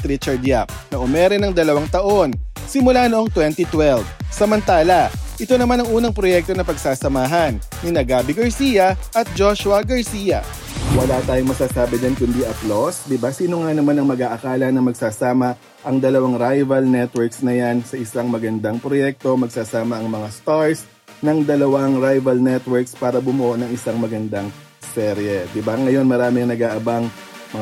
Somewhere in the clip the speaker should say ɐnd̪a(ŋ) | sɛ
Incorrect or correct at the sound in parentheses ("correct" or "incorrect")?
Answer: correct